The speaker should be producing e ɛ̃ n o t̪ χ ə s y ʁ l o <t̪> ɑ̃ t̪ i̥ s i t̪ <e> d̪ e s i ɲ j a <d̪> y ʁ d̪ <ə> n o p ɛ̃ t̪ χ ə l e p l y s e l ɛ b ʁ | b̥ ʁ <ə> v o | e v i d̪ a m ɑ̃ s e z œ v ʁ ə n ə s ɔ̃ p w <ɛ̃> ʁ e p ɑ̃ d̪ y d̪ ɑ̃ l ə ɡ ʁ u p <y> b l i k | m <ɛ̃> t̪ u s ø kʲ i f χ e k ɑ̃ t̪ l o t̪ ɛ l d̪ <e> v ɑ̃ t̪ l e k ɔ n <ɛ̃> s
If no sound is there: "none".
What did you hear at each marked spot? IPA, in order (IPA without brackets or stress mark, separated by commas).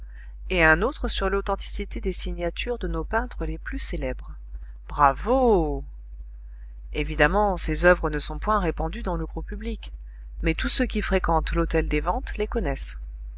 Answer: t̪, e, t̪, ə, a, ɛ̃, y, ɛ, e, ɛ